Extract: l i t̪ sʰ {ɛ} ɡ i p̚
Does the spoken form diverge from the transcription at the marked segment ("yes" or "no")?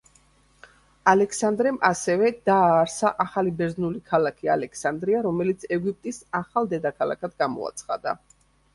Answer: no